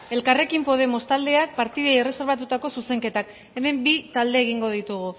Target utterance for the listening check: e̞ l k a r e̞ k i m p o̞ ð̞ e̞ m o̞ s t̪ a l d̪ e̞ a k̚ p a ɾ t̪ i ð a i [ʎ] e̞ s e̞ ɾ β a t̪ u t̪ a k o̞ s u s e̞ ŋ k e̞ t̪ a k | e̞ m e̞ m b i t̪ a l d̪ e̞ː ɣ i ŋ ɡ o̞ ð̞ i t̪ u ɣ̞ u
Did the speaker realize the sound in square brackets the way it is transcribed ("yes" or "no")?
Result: no